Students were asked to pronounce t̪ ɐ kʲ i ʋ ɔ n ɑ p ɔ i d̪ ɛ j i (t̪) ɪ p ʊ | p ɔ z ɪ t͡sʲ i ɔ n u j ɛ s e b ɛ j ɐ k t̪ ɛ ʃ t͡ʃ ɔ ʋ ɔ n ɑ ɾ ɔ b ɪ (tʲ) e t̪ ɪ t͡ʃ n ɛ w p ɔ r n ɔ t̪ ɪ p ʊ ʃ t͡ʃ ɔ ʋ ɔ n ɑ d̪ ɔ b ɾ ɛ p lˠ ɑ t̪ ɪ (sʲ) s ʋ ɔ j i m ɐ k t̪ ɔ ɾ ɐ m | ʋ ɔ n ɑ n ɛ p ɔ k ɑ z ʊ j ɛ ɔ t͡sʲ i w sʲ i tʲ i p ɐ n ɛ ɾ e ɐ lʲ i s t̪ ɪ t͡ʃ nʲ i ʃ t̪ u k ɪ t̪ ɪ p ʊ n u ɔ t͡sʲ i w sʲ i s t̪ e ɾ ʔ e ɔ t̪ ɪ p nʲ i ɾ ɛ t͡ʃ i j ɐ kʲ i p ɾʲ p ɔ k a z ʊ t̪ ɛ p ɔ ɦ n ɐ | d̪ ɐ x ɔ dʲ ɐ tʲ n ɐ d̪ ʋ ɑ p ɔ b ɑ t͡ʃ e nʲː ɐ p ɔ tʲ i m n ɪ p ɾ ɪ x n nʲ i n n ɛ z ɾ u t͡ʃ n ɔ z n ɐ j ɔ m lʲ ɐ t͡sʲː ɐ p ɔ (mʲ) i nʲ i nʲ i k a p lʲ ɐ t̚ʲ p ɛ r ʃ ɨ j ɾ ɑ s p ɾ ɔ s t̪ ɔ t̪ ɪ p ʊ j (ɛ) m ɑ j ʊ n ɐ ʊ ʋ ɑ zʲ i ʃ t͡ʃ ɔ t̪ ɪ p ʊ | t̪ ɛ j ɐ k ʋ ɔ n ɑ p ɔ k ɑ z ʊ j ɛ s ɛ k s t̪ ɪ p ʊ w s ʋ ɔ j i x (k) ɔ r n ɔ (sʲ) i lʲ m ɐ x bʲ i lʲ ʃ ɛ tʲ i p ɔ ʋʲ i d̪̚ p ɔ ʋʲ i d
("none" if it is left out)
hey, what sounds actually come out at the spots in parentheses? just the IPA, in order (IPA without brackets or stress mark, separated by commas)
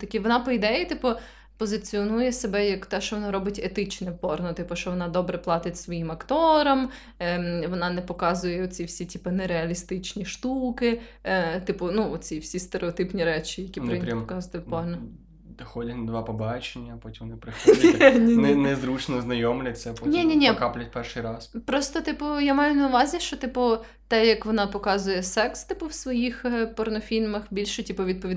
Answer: t̪, tʲ, tʲ, nʲ, a, p, fʲ